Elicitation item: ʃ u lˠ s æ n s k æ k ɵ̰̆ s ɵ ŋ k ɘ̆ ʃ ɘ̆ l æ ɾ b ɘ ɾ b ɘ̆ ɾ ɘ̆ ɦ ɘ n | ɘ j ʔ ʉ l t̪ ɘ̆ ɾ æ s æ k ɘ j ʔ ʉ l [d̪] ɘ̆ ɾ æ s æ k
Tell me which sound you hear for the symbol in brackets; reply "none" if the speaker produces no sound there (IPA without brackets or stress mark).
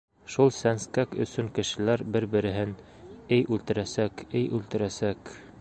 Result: t̪